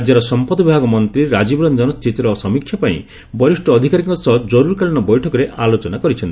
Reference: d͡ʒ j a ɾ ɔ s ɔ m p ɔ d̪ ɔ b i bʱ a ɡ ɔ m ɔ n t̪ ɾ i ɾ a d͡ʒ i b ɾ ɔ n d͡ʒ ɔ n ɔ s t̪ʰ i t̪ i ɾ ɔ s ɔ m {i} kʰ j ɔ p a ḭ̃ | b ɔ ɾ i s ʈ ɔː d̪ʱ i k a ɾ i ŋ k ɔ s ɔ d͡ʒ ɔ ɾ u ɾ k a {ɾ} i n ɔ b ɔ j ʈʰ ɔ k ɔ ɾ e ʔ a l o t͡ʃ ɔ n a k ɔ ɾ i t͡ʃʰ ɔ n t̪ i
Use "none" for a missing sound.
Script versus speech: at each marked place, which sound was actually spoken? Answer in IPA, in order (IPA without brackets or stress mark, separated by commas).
i, ɭ